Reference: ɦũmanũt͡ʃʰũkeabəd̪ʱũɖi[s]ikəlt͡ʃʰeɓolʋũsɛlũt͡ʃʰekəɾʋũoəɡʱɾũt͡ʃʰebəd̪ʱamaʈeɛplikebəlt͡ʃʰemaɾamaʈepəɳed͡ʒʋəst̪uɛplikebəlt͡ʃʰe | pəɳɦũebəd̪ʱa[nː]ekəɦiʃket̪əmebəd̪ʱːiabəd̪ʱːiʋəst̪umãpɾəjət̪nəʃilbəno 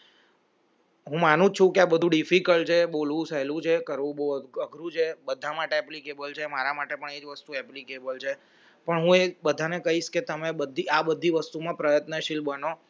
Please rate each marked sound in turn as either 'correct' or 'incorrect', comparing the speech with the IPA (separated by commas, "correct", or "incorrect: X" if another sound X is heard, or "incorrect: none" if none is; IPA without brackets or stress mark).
incorrect: f, incorrect: n